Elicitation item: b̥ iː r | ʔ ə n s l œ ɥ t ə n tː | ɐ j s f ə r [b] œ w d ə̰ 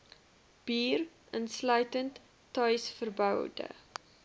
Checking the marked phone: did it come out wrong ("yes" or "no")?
no